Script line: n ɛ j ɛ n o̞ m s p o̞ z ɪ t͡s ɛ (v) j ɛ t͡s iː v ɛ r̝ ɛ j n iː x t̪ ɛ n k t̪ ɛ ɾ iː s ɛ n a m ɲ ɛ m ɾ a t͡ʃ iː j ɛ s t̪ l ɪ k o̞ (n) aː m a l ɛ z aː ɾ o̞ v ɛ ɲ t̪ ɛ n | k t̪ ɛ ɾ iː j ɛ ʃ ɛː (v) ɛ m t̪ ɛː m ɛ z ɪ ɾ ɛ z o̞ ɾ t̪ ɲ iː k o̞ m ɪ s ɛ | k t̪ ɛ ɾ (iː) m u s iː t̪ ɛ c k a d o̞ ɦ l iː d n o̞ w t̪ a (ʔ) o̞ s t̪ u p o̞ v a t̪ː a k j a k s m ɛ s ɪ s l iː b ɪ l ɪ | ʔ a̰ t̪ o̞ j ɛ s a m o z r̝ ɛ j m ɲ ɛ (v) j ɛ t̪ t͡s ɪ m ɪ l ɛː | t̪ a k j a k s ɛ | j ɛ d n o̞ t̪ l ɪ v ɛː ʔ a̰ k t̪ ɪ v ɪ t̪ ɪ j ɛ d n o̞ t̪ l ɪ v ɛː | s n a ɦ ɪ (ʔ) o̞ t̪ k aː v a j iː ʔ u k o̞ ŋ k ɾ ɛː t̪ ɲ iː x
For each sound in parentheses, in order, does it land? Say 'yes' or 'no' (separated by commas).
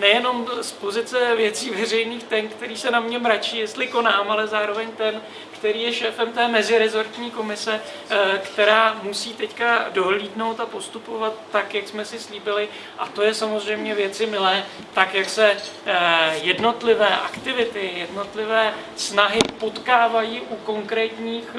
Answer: yes, yes, no, no, no, yes, no